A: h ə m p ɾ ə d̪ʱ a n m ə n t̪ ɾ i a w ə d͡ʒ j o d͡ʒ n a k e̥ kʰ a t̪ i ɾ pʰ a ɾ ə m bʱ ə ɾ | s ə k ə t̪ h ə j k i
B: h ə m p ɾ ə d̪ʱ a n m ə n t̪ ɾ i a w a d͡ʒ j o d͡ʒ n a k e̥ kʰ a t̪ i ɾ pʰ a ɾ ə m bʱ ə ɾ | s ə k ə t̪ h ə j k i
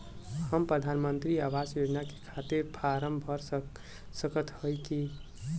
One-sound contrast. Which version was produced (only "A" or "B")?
B